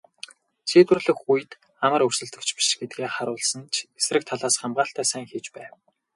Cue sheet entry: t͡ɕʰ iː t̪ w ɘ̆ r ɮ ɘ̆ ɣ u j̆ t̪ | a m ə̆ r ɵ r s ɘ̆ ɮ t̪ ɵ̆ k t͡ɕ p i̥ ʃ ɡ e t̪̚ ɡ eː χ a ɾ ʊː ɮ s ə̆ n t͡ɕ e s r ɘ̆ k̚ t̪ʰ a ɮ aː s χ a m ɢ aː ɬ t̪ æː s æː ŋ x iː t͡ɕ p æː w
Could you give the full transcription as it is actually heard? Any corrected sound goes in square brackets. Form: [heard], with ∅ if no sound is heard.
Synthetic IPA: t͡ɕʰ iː t̪ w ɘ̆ r ɮ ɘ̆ [x] u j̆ t̪ | a m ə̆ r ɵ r s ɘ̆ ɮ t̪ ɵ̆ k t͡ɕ p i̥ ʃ ɡ e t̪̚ ɡ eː χ a ɾ ʊː ɮ s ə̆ n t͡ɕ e s r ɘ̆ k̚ t̪ʰ a ɮ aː s χ a m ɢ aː ɬ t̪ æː s æː ŋ x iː t͡ɕ p æː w

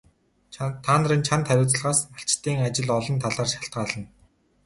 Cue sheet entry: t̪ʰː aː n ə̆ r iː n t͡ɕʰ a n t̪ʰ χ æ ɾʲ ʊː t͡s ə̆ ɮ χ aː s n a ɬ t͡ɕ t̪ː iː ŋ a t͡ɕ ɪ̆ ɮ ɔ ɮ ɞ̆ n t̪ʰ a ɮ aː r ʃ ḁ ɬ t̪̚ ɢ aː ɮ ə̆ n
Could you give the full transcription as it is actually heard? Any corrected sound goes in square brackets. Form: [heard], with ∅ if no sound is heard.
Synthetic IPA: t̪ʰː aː n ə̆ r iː n t͡ɕʰ a n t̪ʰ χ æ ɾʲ ʊː t͡s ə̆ ɮ [ʁ] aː s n a ɬ t͡ɕ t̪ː iː ŋ a t͡ɕ ɪ̆ ɮ ɔ ɮ ɞ̆ n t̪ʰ a ɮ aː r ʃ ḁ ɬ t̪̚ ɢ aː ɮ ə̆ n

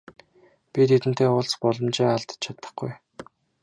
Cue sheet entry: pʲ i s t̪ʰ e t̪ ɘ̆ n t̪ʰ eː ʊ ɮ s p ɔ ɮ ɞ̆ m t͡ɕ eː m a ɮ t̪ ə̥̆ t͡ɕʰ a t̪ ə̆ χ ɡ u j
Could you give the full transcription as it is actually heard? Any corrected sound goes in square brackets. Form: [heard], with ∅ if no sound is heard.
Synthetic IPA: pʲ i [∅] t̪ʰ e t̪ ɘ̆ n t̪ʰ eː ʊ ɮ s p ɔ ɮ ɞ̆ m t͡ɕ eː [∅] a ɮ t̪ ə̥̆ t͡ɕʰ a t̪ ə̆ χ ɡ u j

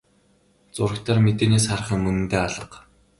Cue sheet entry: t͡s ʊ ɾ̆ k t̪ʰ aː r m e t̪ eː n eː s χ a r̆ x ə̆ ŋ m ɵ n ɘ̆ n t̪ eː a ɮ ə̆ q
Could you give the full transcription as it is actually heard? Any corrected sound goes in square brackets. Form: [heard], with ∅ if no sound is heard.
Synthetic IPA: t͡s ʊ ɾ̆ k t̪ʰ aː r m e t̪ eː n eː s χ a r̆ [χ] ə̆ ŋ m ɵ n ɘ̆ n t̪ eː a ɮ ə̆ q

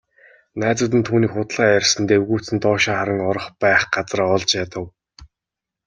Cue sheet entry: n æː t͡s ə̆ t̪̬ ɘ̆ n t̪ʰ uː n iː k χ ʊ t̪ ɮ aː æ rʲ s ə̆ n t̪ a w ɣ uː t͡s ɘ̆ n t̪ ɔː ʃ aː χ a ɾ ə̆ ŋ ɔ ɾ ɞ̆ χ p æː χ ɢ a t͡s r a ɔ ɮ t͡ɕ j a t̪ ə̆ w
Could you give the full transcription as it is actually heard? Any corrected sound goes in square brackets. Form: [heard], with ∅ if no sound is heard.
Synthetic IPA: n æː t͡s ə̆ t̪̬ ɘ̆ n t̪ʰ uː n iː k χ ʊ t̪ ɮ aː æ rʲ s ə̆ n t̪ [e] w ɣ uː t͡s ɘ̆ n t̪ ɔː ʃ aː χ a ɾ ə̆ ŋ ɔ ɾ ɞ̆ χ p æː χ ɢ a t͡s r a ɔ ɮ t͡ɕ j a t̪ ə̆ w

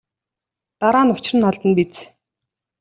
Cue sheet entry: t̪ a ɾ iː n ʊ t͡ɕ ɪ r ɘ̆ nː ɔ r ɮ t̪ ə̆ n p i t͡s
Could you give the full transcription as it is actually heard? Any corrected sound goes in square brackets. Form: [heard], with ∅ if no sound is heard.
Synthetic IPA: t̪ a ɾ [aː] n ʊ t͡ɕ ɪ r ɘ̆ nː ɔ [∅] ɮ t̪ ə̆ n p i t͡s

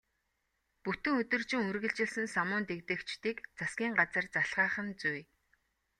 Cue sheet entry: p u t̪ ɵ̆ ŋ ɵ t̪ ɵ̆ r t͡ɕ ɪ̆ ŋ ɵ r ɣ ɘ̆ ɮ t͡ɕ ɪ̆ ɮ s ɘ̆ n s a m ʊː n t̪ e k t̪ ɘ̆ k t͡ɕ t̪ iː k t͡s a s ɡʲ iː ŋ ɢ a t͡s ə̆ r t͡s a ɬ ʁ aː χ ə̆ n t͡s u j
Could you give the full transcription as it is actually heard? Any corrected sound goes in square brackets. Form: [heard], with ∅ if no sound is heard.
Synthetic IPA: p u t̪ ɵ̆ ŋ ɵ t̪ ɵ̆ r t͡ɕ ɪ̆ ŋ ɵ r ɣ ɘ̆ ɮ t͡ɕ ɪ̆ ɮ s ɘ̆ n s a m ʊː n t̪ e k t̪ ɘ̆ k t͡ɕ t̪ iː k t͡s a s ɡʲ iː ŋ ɢ a t͡s ə̆ r t͡s a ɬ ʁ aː χ ə̆ n t͡s u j

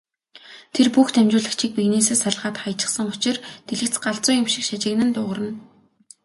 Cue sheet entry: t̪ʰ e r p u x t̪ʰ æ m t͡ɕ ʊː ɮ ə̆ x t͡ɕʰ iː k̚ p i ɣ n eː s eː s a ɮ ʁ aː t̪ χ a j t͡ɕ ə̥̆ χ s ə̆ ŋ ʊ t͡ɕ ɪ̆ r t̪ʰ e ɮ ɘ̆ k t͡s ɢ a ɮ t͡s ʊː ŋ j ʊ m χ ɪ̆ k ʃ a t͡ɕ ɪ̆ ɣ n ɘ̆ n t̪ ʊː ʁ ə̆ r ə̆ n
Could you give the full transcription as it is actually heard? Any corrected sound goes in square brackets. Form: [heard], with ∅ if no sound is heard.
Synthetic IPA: t̪ʰ e r p u x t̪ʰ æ m t͡ɕ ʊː ɮ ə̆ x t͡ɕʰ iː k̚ p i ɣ n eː s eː s a ɮ ʁ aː t̪ χ a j t͡ɕ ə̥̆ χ s ə̆ ŋ ʊ t͡ɕ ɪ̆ r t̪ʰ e ɮ ɘ̆ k t͡s ɢ a ɮ t͡s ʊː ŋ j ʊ m [ʃ] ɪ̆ k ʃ a t͡ɕ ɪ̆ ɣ n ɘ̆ n t̪ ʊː ʁ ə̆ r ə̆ n

